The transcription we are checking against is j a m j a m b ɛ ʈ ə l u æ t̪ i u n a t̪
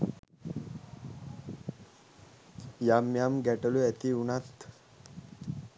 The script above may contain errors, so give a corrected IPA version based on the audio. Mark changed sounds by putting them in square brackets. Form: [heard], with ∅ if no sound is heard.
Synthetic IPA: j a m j a m [ɡ] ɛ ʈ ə l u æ t̪ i u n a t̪

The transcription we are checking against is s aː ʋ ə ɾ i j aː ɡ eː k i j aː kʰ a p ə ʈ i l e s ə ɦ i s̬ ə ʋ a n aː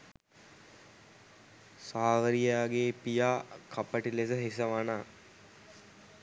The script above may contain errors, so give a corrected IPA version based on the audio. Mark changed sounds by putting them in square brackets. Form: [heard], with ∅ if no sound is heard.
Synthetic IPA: s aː ʋ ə ɾ i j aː ɡ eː [p] i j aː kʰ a p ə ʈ i l e s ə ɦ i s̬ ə ʋ a n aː

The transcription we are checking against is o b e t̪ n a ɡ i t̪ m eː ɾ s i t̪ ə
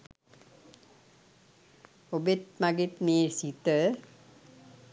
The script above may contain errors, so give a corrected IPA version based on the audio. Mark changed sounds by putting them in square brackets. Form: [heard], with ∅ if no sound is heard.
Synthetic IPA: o b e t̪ [m] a ɡ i t̪ m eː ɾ s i t̪ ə

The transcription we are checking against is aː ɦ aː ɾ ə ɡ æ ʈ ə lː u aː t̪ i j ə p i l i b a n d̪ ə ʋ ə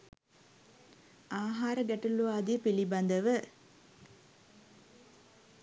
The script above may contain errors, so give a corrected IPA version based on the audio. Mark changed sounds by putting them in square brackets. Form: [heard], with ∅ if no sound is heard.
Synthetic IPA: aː ɦ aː ɾ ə ɡ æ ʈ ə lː u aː [d̪] i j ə p i l i b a n d̪ ə ʋ ə

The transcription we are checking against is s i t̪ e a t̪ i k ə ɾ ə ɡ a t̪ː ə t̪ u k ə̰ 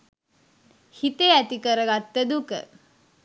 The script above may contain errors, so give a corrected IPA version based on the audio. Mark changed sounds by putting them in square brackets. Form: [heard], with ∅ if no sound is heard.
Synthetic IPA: [h] i t̪ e [æ] t̪ i k ə ɾ ə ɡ a t̪ː ə [d̪] u k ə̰

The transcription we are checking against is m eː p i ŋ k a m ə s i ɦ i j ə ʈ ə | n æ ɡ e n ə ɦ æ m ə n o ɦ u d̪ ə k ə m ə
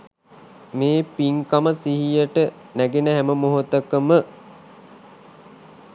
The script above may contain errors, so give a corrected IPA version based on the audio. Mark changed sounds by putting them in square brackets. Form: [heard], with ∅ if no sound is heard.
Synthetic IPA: m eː p i ŋ k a m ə s i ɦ i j ə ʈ ə | n æ ɡ e n ə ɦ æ m ə [m] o ɦ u [t̪] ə k ə m ə

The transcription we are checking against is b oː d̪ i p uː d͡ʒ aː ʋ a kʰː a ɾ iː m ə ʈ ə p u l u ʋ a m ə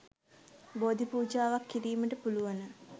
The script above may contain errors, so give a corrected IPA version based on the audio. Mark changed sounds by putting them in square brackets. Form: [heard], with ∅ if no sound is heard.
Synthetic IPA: b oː d̪ i p uː d͡ʒ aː ʋ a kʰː [i] ɾ iː m ə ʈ ə p u l u ʋ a [n] ə

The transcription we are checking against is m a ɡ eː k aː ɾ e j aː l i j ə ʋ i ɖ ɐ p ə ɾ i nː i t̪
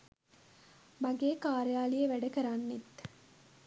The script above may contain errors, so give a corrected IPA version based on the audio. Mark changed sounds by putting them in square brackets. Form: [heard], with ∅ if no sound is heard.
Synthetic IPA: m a ɡ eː k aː ɾ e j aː l i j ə ʋ [æ] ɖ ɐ [k] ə ɾ [a] nː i t̪

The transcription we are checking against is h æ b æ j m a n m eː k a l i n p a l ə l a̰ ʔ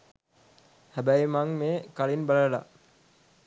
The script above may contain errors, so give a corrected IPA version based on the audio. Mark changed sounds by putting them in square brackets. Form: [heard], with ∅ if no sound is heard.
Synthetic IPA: h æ b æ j m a [ŋ] m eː k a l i n [b] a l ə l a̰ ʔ

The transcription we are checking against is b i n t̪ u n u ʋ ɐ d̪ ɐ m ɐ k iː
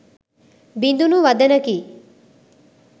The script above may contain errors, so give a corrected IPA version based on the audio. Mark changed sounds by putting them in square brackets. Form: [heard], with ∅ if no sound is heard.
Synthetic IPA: b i n [d̪] u n u ʋ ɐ d̪ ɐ [n] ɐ k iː

